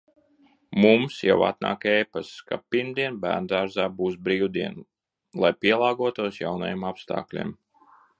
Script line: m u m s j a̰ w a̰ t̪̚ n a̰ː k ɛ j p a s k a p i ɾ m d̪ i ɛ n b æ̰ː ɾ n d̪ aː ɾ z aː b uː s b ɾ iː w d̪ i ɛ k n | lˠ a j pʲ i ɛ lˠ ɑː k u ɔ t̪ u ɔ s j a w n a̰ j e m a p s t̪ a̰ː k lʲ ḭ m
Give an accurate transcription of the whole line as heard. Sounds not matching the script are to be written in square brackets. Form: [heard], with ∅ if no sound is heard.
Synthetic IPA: m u m s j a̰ w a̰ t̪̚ n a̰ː k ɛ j p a s k a p i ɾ m d̪ i ɛ n b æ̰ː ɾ n d̪ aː ɾ z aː b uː s b ɾ iː w d̪ i ɛ [∅] n | lˠ a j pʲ i ɛ lˠ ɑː [ɡ] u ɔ t̪ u ɔ s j a w n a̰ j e m a p s t̪ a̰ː k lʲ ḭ m